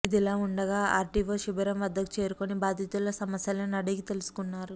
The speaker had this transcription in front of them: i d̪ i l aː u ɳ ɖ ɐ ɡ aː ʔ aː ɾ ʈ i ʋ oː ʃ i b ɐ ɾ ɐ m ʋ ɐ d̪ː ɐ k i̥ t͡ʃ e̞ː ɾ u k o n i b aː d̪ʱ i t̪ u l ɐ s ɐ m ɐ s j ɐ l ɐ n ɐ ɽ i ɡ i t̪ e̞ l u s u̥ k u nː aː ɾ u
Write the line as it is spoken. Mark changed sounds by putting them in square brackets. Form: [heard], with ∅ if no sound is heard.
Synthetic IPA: i d̪ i l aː u ɳ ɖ ɐ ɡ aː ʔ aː ɾ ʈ i ʋ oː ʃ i b ɐ ɾ ɐ m ʋ ɐ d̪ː ɐ k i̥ t͡ʃ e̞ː ɾ u k o n i b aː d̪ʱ i t̪ u l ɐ s ɐ m ɐ s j ɐ l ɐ n ɐ ɽ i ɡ i t̪ e̞ l u s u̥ k u nː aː ɾ u

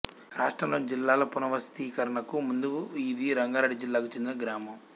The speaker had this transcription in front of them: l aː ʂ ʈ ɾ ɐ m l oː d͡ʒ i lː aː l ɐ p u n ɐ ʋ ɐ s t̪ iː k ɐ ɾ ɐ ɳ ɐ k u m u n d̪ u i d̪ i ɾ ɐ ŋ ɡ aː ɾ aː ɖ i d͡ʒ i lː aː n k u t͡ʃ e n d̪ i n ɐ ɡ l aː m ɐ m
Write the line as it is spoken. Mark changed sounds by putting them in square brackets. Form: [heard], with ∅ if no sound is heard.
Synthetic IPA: [ɾ] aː ʂ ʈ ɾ ɐ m l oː d͡ʒ i lː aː l ɐ p u n ɐ ʋ ɐ s t̪ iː k ɐ ɾ ɐ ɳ ɐ k u m u n d̪ u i d̪ i ɾ ɐ ŋ ɡ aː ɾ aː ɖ i d͡ʒ i lː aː [∅] k u t͡ʃ e n d̪ i n ɐ ɡ [ɾ] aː m ɐ m

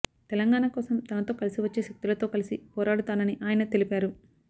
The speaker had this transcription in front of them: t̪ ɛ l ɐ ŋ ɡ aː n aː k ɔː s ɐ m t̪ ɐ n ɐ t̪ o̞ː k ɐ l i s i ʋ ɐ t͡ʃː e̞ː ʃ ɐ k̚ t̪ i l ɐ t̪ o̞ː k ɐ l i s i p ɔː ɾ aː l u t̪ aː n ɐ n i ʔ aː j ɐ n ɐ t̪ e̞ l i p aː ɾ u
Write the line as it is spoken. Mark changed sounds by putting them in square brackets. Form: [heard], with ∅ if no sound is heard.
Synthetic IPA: t̪ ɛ l ɐ ŋ ɡ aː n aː k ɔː s ɐ m t̪ ɐ n ɐ t̪ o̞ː k ɐ l i s i ʋ ɐ t͡ʃː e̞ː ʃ ɐ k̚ t̪ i l ɐ t̪ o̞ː k ɐ l i s i p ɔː ɾ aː [ɽ] u t̪ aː n ɐ n i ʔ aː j ɐ n ɐ t̪ e̞ l i p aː ɾ u

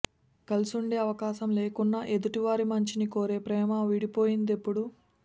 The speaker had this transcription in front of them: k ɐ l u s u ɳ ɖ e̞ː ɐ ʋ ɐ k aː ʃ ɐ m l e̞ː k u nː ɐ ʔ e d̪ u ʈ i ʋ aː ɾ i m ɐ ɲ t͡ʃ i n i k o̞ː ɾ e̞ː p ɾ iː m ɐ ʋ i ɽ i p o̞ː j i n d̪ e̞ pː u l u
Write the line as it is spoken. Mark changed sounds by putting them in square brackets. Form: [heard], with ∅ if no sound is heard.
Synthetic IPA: k ɐ l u s u ɳ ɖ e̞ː ɐ ʋ ɐ k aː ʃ ɐ m l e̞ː k u nː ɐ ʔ e d̪ u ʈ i ʋ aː ɾ i m ɐ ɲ t͡ʃ i n i k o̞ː ɾ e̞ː p ɾ [ɛː] m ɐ ʋ i ɽ i p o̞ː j i n d̪ e̞ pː u [ɽ] u

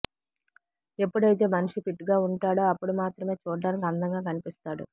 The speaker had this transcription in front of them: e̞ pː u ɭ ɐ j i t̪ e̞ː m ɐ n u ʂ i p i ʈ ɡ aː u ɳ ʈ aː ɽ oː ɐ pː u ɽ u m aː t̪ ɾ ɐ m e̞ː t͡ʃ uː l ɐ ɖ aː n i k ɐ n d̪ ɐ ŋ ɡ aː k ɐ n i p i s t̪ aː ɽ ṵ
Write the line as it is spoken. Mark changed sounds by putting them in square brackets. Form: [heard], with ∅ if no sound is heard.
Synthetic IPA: e̞ pː u [ɽ] ɐ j i t̪ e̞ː m ɐ n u ʂ i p i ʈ ɡ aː u ɳ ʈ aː ɽ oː ɐ pː u ɽ u m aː t̪ ɾ ɐ m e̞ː t͡ʃ uː [ɽ] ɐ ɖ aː n i k ɐ n d̪ ɐ ŋ ɡ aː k ɐ n i p i s t̪ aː ɽ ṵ

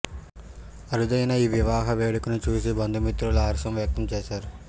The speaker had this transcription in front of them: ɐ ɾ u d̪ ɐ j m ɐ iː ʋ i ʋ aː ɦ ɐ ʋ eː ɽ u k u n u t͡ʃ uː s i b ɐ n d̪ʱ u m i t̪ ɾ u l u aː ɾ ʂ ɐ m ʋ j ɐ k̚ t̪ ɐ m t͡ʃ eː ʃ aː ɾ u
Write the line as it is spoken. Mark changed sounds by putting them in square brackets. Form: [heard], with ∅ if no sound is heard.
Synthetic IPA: ɐ ɾ u d̪ ɐ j [n] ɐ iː ʋ i ʋ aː ɦ ɐ ʋ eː ɽ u k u n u t͡ʃ uː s i b ɐ n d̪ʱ u m i t̪ ɾ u l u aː ɾ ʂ ɐ m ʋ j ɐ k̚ t̪ ɐ m t͡ʃ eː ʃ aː ɾ u

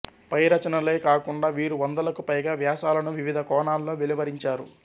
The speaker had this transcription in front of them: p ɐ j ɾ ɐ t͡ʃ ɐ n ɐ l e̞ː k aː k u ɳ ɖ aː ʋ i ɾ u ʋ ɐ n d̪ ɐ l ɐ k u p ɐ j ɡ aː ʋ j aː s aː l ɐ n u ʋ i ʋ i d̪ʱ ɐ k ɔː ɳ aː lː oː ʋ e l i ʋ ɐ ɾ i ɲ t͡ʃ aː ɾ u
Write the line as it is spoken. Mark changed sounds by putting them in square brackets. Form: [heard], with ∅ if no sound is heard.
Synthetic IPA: p ɐ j ɾ ɐ t͡ʃ ɐ n ɐ l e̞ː k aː k u ɳ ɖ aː ʋ [iː] ɾ u ʋ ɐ n d̪ ɐ l ɐ k u p ɐ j ɡ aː ʋ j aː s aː l ɐ n u ʋ i ʋ i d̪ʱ ɐ k ɔː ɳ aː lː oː ʋ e l i ʋ ɐ ɾ i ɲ t͡ʃ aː ɾ u

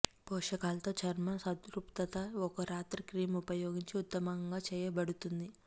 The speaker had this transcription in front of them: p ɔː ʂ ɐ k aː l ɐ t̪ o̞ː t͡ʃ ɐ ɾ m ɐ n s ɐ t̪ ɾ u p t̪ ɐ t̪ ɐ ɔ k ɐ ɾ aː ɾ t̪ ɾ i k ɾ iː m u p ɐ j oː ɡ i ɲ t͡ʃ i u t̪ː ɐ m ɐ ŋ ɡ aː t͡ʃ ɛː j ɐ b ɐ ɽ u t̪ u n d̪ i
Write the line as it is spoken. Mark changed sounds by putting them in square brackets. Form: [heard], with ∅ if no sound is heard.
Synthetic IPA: p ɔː ʂ ɐ k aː l ɐ t̪ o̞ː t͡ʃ ɐ ɾ m ɐ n s ɐ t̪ ɾ u p t̪ ɐ t̪ ɐ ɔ k ɐ ɾ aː [∅] t̪ ɾ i k ɾ iː m u p ɐ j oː ɡ i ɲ t͡ʃ i u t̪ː ɐ m ɐ ŋ ɡ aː t͡ʃ ɛː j ɐ b ɐ ɽ u t̪ u n d̪ i

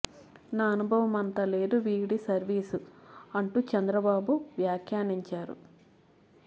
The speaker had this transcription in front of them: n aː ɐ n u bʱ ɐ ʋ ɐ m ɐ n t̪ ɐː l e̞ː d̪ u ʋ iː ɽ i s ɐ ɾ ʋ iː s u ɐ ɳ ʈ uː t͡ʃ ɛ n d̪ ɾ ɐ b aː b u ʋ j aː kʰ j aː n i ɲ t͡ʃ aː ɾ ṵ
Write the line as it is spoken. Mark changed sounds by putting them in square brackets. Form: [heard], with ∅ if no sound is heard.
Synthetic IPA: n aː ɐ n u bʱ ɐ ʋ ɐ m ɐ n t̪ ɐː l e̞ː d̪ u ʋ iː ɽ i s ɐ ɾ ʋ iː s u ɐ ɳ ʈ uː t͡ʃ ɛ n d̪ ɾ ɐ b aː b u ʋ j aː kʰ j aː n i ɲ t͡ʃ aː ɾ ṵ

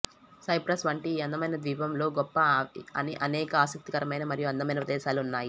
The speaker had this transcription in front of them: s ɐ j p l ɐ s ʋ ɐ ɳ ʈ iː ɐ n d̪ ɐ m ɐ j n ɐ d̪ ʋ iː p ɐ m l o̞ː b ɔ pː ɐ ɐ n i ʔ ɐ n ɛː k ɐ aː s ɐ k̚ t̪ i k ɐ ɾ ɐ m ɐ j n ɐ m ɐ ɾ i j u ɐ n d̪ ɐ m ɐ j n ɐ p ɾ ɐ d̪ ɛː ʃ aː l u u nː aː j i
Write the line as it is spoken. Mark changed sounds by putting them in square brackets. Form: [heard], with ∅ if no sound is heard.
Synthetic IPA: s ɐ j p [ɾ] ɐ s ʋ ɐ ɳ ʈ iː ɐ n d̪ ɐ m ɐ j n ɐ d̪ ʋ iː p ɐ m l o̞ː [ɡ] ɔ pː ɐ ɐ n i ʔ ɐ n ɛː k ɐ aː s ɐ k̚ t̪ i k ɐ ɾ ɐ m ɐ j n ɐ m ɐ ɾ i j u ɐ n d̪ ɐ m ɐ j n ɐ p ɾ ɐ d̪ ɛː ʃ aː l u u nː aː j i

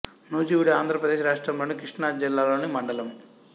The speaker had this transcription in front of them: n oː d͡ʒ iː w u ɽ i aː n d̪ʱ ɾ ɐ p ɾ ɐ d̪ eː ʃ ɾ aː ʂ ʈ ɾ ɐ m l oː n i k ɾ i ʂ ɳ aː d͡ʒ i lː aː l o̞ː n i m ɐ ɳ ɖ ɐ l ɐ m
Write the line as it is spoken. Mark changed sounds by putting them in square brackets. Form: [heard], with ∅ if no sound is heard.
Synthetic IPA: n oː d͡ʒ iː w u ɽ i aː n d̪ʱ ɾ ɐ p ɾ ɐ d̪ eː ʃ ɾ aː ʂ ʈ ɾ ɐ m l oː n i k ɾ i ʂ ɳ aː d͡ʒ i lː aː l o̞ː n i m ɐ ɳ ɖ ɐ l ɐ m

